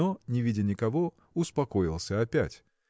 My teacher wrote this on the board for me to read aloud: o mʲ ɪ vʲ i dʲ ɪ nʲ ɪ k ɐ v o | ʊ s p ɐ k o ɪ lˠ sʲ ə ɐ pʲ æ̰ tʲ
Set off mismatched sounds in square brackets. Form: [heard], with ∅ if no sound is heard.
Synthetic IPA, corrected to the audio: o [nʲ] ɪ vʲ i dʲ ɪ nʲ ɪ k ɐ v o | ʊ s p ɐ k o ɪ lˠ sʲ ə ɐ pʲ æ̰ tʲ